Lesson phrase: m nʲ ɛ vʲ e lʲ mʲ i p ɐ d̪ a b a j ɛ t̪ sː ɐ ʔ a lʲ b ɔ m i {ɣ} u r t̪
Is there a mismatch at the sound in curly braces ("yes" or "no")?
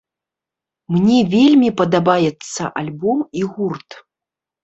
no